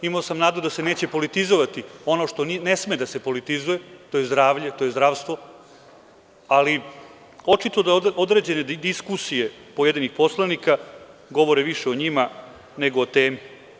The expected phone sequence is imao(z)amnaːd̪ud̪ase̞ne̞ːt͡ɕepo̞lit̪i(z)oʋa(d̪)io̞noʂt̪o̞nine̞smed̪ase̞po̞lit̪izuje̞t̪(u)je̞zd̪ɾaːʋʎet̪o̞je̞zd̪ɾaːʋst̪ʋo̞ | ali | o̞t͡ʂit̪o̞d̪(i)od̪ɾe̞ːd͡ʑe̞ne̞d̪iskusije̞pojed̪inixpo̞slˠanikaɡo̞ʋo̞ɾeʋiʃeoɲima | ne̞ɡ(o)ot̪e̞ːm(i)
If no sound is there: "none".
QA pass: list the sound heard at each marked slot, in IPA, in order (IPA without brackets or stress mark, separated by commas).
s, z, t̪, o, a, o, i